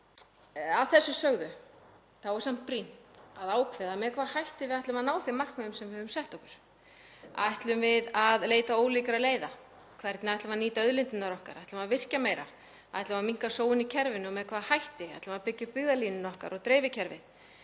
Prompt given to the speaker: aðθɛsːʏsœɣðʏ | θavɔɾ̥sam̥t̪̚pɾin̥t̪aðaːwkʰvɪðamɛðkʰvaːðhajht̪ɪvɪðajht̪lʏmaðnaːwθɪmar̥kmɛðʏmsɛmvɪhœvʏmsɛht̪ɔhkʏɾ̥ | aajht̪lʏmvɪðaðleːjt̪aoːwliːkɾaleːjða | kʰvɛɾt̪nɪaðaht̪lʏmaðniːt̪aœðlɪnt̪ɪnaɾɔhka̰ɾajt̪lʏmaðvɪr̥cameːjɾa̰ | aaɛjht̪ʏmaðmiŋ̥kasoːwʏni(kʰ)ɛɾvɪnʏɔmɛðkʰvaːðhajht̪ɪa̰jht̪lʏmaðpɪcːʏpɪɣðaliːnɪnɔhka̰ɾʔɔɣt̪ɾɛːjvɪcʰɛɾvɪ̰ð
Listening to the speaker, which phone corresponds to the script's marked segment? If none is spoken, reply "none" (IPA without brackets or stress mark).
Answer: cʰ